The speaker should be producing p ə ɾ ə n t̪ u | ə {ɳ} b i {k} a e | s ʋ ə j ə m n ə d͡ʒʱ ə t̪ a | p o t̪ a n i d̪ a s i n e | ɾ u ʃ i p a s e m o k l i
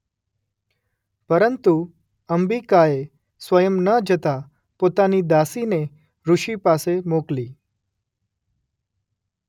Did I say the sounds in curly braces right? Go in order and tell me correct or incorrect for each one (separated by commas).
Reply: incorrect, correct